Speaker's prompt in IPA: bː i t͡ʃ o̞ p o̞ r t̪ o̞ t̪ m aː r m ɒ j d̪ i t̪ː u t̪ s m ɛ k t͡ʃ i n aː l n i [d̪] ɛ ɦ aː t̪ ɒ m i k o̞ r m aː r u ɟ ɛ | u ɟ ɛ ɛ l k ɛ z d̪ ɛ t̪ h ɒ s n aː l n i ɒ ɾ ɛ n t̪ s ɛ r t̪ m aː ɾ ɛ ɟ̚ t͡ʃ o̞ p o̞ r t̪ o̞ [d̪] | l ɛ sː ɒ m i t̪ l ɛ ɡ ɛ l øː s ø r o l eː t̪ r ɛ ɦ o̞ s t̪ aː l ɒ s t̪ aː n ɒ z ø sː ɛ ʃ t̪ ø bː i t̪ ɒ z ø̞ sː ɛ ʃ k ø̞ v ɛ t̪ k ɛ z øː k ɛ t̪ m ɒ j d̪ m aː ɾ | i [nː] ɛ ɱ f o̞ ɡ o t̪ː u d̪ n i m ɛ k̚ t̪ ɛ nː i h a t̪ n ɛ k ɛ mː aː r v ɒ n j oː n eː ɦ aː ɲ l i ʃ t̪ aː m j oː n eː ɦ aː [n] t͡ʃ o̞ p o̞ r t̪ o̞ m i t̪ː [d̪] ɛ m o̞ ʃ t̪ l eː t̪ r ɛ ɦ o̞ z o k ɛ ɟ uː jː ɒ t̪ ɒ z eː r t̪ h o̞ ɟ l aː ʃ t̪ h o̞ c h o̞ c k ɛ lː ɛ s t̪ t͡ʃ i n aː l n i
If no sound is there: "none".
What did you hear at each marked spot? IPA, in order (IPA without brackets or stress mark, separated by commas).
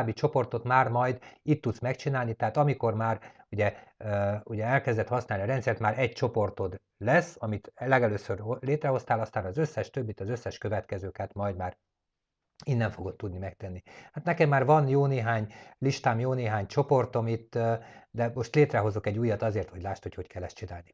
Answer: t̪, d̪, nː, ɲ, d̪